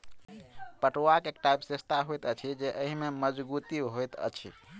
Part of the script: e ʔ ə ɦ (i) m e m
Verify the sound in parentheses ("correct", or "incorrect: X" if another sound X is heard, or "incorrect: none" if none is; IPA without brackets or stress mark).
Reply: correct